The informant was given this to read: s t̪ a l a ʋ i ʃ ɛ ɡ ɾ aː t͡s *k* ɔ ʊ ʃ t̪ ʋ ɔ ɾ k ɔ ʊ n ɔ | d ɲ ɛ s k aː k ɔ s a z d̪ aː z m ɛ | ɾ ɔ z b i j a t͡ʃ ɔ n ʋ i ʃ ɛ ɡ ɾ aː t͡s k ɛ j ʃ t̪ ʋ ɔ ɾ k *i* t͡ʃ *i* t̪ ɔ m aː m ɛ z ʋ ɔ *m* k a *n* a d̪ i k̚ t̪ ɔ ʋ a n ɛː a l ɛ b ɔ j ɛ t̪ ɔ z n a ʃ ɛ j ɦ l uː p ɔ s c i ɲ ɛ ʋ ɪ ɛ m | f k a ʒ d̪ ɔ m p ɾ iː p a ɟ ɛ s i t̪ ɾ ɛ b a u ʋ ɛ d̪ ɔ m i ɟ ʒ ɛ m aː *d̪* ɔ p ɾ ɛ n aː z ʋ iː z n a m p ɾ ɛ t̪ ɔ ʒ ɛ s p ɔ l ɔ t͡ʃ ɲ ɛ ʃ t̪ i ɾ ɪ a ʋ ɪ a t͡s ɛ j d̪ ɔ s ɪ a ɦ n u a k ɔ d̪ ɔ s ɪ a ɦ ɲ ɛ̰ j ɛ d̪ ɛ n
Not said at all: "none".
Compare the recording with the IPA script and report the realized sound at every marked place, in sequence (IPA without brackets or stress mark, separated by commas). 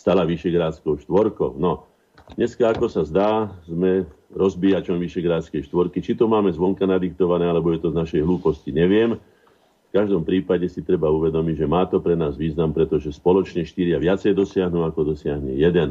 k, i, i, ŋ, n, t̪